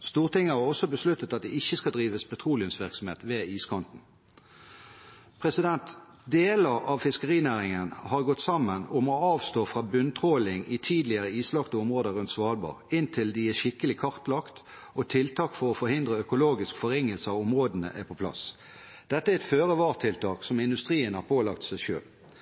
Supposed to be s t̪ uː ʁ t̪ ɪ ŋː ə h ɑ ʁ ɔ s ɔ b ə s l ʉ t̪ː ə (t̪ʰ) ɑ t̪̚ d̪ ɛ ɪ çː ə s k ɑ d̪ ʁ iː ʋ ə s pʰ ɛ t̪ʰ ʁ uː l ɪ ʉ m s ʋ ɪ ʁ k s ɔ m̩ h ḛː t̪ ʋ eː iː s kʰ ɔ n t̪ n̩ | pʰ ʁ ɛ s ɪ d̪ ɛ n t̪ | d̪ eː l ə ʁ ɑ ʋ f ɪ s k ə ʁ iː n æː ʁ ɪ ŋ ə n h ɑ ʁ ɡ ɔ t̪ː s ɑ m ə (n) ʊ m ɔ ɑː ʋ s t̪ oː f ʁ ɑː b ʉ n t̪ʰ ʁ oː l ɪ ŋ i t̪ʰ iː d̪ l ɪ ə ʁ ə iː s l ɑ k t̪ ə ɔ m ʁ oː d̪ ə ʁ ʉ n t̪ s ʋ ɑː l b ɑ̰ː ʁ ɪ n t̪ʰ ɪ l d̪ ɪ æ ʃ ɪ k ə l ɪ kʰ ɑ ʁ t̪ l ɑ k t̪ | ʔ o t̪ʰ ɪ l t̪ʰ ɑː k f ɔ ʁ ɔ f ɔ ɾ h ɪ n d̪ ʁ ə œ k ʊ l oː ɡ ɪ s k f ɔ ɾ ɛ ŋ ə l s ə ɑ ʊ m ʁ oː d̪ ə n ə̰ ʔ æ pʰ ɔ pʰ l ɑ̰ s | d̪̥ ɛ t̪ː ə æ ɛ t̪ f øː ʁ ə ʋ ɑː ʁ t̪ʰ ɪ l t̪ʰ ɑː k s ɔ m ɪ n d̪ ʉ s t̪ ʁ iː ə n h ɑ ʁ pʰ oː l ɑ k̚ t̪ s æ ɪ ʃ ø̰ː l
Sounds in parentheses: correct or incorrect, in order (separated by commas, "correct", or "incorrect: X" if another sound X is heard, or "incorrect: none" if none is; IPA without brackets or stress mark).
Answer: incorrect: t̪, correct